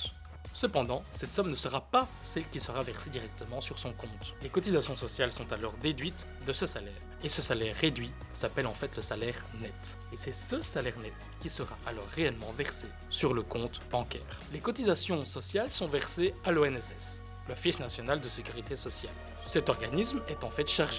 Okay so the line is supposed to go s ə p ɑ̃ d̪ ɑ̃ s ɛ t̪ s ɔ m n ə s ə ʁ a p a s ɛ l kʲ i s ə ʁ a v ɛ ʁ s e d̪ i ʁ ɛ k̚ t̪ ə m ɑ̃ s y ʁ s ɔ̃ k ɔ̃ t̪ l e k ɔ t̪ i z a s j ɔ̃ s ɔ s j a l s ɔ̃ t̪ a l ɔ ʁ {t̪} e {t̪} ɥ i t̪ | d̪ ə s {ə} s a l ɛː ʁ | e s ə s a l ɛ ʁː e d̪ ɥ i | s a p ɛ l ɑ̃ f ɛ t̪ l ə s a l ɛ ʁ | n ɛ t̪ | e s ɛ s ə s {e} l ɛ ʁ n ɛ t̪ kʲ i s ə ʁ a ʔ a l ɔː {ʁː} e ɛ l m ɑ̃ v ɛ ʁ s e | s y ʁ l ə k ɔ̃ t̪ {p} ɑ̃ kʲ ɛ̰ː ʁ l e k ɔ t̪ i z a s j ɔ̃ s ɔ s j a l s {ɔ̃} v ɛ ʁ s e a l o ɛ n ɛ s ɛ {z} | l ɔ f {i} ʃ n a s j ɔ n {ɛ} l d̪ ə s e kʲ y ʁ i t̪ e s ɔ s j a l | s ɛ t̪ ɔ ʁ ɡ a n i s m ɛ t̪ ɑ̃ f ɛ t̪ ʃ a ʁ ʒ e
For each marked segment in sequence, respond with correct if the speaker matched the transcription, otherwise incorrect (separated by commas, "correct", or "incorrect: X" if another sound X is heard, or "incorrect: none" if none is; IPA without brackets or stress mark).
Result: incorrect: d̪, incorrect: d̪, correct, incorrect: a, correct, incorrect: b, correct, incorrect: s, correct, incorrect: a